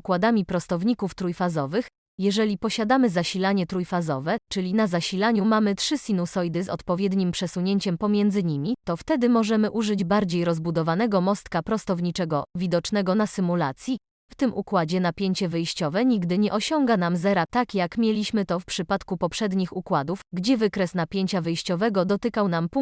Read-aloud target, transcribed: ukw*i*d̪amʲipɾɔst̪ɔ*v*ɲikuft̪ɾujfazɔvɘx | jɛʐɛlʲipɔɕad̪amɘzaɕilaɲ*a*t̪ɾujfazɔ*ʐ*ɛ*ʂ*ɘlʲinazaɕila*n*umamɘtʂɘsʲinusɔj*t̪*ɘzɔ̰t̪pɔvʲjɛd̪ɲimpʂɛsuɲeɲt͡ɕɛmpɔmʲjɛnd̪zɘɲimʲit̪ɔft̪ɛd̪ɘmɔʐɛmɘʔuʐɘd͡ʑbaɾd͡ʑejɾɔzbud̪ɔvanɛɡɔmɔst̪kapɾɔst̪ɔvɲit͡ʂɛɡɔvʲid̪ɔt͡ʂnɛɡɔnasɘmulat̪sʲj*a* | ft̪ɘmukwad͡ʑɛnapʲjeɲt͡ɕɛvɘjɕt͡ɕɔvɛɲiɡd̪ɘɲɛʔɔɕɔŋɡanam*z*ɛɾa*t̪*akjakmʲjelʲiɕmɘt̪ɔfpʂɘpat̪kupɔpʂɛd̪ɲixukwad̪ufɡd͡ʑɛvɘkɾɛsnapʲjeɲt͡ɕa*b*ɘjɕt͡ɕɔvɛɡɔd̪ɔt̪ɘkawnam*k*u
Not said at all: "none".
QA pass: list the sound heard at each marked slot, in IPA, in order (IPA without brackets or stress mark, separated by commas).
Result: a, v, ɛ, v, t͡ʂ, ɲ, d̪, i, z, t̪, v, p